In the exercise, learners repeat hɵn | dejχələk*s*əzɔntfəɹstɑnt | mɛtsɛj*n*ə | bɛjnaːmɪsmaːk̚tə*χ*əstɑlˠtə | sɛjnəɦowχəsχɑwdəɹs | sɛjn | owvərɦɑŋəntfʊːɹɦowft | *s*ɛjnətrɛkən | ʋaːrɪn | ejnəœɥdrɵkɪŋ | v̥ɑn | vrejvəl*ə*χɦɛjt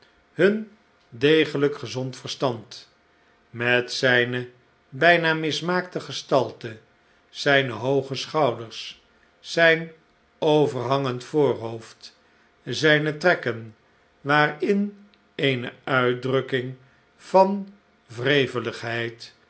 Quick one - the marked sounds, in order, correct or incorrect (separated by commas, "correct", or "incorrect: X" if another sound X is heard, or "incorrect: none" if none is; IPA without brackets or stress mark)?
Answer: incorrect: χ, correct, correct, incorrect: z, correct